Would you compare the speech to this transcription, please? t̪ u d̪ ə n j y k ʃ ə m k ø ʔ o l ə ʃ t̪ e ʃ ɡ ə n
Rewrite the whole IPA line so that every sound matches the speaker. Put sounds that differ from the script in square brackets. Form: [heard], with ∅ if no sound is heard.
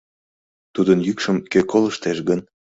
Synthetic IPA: t̪ u d̪ ə n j y k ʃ ə m k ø [k] o l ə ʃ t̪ e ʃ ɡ ə n